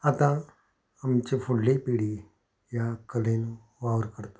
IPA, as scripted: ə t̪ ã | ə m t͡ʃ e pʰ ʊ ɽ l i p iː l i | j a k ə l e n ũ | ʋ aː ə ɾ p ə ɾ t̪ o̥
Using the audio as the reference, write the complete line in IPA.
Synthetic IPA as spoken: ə t̪ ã | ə m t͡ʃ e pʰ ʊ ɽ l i p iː ɽ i | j a k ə l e n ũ | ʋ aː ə ɾ k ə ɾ t̪ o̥